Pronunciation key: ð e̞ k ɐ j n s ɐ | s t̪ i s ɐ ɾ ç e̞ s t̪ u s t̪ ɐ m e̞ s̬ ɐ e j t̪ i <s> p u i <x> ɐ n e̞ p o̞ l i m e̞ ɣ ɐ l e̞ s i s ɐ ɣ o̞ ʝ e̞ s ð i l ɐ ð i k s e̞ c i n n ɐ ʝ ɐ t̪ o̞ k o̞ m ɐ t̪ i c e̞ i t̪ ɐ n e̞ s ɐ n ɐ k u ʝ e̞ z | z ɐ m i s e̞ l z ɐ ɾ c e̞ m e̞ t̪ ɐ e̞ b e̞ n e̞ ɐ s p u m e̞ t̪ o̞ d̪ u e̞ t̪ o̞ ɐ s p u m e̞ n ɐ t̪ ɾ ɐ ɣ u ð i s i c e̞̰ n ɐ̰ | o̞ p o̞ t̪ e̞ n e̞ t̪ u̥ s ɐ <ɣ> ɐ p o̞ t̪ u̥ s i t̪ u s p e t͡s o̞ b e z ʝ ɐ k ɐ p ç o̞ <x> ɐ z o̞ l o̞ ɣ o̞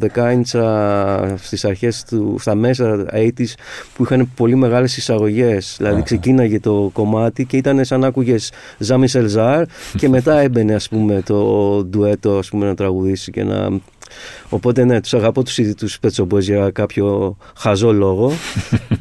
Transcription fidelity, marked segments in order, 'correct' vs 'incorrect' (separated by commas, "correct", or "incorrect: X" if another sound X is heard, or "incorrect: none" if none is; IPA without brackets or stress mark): correct, correct, correct, correct